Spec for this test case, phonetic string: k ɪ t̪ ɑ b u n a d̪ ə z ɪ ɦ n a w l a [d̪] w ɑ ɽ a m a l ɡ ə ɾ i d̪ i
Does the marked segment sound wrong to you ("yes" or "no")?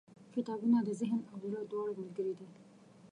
no